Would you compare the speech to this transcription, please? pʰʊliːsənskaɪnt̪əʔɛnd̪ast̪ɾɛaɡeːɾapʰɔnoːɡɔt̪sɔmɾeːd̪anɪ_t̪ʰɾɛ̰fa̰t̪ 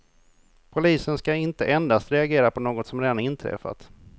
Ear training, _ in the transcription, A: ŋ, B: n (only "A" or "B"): B